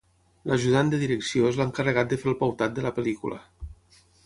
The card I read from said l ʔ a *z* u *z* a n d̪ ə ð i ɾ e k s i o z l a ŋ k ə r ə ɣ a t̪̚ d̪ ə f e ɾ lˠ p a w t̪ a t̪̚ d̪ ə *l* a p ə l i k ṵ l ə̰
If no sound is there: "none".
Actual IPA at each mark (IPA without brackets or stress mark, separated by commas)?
ʒ, ð, l